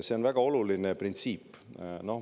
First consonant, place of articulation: alveolar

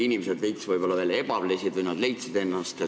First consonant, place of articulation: alveolar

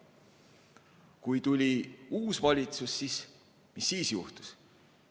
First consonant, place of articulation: velar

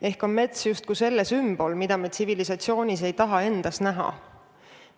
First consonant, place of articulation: glottal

